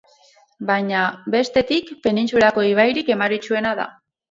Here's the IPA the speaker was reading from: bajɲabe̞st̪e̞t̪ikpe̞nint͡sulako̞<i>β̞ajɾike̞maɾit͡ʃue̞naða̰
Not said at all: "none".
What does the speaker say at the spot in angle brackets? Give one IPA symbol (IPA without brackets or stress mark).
i